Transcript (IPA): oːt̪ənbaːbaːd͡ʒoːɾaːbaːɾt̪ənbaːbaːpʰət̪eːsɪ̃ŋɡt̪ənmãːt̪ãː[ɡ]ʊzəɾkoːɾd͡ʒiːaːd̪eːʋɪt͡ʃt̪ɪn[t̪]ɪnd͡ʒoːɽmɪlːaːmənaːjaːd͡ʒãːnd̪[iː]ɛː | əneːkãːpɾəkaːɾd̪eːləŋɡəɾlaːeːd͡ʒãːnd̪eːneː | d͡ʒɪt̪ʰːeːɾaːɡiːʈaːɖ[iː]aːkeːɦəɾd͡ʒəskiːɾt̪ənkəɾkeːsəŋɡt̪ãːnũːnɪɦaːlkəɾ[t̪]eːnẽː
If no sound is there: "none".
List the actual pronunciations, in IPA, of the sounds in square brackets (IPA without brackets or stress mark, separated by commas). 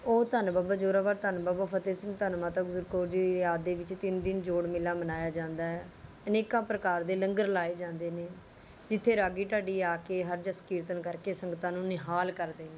ɡ, d̪, aː, iː, d̪